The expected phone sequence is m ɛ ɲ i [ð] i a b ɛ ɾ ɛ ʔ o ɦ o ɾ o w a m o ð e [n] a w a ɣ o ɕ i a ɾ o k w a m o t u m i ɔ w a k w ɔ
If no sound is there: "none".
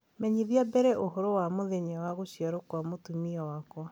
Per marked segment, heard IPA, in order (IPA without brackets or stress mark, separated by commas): ð, ɲ